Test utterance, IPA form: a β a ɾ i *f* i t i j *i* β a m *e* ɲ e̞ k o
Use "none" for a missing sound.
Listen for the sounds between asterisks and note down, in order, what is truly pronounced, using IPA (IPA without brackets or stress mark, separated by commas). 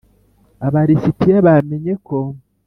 s, a, e